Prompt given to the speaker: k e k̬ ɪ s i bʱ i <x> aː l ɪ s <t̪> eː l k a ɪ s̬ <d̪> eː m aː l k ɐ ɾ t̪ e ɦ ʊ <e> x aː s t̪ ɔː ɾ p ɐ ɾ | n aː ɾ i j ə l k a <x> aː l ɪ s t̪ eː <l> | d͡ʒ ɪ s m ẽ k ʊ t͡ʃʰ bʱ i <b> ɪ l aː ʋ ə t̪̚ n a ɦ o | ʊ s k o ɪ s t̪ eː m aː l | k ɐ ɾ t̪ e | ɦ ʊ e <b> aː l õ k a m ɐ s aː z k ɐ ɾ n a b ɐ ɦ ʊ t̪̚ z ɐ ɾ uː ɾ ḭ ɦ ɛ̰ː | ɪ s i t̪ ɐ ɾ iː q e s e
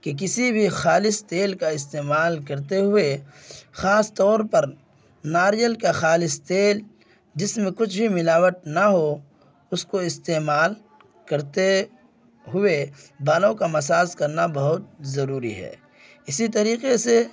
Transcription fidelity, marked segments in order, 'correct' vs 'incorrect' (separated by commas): correct, correct, incorrect, correct, correct, correct, incorrect, correct